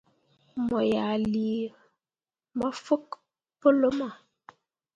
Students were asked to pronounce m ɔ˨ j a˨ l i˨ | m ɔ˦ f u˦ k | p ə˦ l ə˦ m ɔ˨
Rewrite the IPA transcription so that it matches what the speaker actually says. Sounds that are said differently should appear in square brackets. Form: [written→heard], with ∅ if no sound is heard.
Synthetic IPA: m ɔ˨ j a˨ l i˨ | m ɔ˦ f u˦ k | p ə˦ l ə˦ m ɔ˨